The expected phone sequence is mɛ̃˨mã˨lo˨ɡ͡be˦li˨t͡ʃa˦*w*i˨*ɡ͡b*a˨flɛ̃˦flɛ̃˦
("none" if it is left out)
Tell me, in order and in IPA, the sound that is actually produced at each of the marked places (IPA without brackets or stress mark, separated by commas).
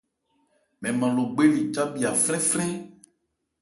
b, none